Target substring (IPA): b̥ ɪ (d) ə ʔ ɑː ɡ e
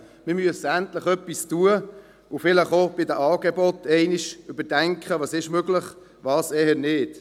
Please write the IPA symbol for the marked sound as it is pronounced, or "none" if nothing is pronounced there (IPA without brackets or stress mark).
d